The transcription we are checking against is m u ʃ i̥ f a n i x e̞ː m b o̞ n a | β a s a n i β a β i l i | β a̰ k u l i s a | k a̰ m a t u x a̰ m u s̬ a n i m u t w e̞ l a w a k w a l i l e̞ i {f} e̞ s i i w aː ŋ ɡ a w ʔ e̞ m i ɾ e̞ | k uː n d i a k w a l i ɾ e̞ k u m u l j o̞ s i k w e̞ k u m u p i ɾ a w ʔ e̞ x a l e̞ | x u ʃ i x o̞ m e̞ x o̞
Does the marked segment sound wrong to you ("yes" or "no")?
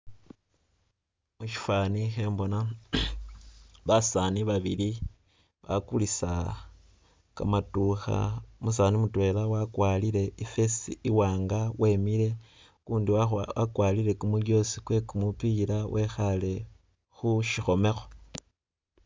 no